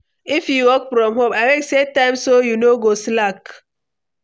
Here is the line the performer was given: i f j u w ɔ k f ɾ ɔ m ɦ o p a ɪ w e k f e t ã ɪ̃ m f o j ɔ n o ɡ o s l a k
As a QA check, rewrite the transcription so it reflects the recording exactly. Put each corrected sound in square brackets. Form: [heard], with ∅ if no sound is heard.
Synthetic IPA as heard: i f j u w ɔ k f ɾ ɔ m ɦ o p a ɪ w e k [s] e t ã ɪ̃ m [s] o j [u] n o ɡ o s l a k